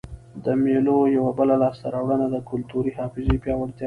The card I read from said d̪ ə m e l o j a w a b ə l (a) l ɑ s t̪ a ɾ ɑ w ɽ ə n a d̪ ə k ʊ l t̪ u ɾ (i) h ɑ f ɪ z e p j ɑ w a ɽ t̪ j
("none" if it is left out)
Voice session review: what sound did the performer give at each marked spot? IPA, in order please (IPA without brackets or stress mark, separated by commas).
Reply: a, i